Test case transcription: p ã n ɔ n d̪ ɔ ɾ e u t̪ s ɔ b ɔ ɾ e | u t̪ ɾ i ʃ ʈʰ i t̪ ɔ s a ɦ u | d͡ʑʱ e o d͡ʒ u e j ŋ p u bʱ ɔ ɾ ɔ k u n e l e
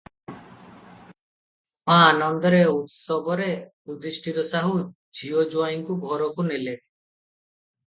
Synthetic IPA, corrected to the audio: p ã n ɔ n d̪ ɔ ɾ e u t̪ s ɔ b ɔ ɾ e | u d̪ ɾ i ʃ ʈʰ i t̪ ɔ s a ɦ u | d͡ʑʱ i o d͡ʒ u a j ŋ k u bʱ ɔ ɾ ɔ k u n e l e